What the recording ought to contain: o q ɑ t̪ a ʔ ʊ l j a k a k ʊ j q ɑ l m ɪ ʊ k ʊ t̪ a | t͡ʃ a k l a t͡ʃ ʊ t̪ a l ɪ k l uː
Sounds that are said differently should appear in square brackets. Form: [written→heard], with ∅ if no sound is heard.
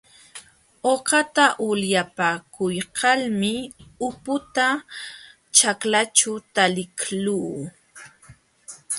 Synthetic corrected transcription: o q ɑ t̪ a ʔ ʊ l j a [k→p] a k ʊ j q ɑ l m ɪ ʊ [k→p] ʊ t̪ a | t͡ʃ a k l a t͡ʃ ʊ t̪ a l ɪ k l uː

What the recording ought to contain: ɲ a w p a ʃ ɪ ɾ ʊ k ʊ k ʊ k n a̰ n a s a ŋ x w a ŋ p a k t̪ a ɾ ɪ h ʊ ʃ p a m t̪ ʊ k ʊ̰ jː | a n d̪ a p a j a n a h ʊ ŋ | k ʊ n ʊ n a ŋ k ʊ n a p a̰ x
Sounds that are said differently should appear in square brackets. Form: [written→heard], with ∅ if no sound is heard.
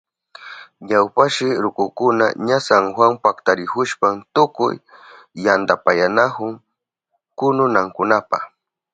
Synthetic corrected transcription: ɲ a w p a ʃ ɪ ɾ ʊ k ʊ k ʊ [k→∅] n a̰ [n→ɲ] a s a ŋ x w a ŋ p a k t̪ a ɾ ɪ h ʊ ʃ p a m t̪ ʊ k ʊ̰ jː | a n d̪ a p a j a n a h ʊ ŋ | k ʊ n ʊ n a ŋ k ʊ n a p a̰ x

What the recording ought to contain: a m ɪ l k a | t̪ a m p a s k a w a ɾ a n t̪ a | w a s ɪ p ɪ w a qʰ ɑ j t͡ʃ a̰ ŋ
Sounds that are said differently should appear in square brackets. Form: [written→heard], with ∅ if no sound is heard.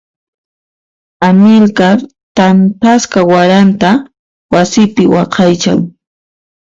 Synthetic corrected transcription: a m ɪ l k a | t̪ a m p a s k a w a ɾ a n t̪ a | w a s ɪ p ɪ w [a→ɑ] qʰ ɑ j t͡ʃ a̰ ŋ

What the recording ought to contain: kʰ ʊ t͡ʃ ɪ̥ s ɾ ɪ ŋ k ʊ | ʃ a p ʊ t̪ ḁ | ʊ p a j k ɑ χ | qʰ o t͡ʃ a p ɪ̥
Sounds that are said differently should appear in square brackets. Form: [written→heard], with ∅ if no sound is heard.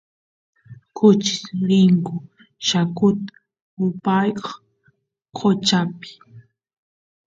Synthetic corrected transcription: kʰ ʊ t͡ʃ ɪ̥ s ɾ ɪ ŋ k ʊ | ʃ a [p→k] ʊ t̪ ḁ | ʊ p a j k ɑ χ | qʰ o t͡ʃ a p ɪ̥

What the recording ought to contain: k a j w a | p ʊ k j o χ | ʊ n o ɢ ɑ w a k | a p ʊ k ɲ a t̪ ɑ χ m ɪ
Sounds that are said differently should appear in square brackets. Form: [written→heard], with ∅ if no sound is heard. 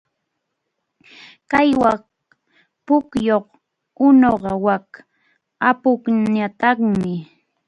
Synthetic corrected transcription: k a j w a | p ʊ k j o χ | ʊ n o ɢ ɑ w a k | a p ʊ k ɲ a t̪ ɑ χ m ɪ

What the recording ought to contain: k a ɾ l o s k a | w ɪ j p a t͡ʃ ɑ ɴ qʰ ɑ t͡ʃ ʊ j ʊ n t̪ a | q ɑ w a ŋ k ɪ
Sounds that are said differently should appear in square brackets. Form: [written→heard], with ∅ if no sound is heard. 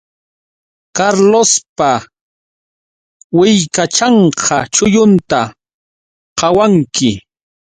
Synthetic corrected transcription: k a ɾ l o s [k→p] a | w ɪ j [p→k] a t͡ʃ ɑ ɴ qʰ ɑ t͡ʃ ʊ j ʊ n t̪ a | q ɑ w a ŋ k ɪ

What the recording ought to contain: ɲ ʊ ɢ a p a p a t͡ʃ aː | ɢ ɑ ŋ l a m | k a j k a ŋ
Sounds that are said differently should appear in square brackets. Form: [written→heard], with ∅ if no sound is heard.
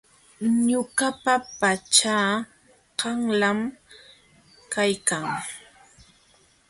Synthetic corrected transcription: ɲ ʊ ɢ a p a p a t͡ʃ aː | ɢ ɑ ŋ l a m | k a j k a ŋ

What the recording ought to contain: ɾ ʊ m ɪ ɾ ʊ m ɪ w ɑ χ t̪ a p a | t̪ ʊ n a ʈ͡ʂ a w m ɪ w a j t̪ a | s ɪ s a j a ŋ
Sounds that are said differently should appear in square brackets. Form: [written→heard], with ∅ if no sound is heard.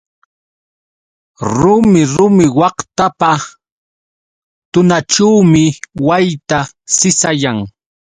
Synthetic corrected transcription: ɾ ʊ m ɪ ɾ ʊ m ɪ w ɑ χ t̪ a p a | t̪ ʊ n a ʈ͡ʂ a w m ɪ w a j t̪ a | s ɪ s a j a ŋ

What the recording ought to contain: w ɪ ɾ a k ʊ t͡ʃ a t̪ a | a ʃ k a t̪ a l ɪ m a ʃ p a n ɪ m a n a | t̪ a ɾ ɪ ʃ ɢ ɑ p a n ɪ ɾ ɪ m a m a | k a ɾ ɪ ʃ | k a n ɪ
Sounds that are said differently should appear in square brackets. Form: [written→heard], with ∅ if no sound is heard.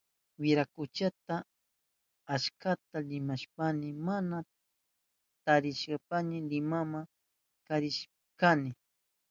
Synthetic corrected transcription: w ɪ ɾ a k ʊ t͡ʃ a t̪ a | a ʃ k a t̪ a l ɪ m a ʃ p a n ɪ m a n a | t̪ a ɾ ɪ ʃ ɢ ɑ p a n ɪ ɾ ɪ m a m a | k a ɾ ɪ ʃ | k a n ɪ

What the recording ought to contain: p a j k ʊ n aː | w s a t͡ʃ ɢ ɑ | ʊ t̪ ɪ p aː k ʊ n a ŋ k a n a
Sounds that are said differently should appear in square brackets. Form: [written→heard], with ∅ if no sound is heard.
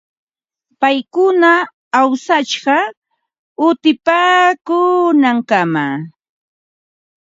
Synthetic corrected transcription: p a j k ʊ n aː | w s a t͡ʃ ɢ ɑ | ʊ t̪ ɪ p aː k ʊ n a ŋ k a [n→m] a

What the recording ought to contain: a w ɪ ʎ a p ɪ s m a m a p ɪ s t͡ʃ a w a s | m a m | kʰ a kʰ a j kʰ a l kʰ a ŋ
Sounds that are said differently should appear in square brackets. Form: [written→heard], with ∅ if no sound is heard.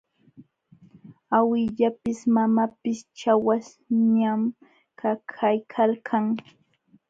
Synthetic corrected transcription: a w ɪ ʎ a p ɪ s m a m a p ɪ s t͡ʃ a w a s | [m→ɲ] a m | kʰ a kʰ a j kʰ a l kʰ a ŋ

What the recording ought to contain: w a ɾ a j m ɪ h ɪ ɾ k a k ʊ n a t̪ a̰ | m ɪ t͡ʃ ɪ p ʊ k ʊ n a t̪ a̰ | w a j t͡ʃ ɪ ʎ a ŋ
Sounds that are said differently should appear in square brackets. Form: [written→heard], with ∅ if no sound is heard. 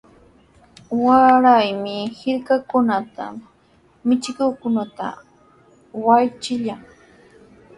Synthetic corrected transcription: w a ɾ a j m ɪ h ɪ ɾ k a k ʊ n a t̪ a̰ | m ɪ t͡ʃ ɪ [p→k] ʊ k ʊ n a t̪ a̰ | w a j t͡ʃ ɪ ʎ a ŋ

